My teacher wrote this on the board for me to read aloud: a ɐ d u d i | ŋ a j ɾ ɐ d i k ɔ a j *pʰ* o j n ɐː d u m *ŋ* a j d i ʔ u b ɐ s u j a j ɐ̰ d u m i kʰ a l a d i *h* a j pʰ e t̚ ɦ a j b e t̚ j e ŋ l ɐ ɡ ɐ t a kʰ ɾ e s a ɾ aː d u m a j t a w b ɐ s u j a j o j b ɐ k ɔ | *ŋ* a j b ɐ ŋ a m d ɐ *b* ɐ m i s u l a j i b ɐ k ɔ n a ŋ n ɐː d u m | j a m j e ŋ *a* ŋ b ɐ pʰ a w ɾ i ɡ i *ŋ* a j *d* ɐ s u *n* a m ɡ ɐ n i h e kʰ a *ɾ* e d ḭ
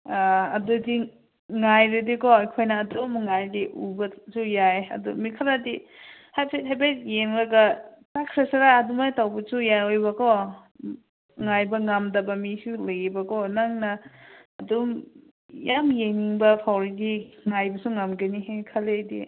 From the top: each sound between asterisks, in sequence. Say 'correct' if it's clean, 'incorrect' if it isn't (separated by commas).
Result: incorrect, correct, correct, correct, correct, incorrect, correct, incorrect, incorrect, incorrect